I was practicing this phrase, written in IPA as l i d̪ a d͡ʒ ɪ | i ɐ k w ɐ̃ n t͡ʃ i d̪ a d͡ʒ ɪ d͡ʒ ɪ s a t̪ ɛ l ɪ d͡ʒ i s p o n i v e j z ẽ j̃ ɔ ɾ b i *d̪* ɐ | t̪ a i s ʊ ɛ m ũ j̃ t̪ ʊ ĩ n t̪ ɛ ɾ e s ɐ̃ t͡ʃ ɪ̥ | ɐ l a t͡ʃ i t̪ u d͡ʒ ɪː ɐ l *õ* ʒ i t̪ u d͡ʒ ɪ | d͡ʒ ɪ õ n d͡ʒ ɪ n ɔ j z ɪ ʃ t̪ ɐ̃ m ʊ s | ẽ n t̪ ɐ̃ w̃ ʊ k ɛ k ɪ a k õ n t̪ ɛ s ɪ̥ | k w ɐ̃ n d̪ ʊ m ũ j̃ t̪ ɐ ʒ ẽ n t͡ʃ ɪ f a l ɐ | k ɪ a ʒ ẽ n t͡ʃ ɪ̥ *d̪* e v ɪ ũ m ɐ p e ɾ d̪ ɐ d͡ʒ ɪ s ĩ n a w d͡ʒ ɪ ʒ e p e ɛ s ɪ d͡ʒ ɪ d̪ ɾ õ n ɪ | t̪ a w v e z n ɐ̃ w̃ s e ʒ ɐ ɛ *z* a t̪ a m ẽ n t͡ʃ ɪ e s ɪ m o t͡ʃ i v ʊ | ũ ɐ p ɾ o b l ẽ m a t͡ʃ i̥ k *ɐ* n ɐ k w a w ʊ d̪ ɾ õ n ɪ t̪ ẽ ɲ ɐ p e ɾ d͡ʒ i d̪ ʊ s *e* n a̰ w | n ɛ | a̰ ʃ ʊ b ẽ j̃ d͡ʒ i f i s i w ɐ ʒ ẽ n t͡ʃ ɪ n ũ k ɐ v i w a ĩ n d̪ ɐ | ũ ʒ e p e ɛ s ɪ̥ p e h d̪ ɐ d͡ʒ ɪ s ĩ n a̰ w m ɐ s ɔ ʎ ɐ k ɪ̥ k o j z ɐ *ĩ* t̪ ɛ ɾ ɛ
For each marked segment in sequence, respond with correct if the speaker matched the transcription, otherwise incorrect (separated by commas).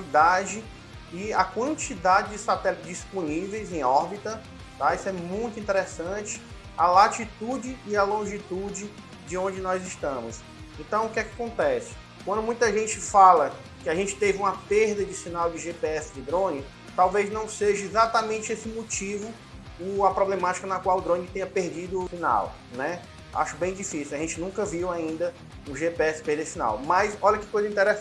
incorrect, correct, incorrect, correct, correct, incorrect, correct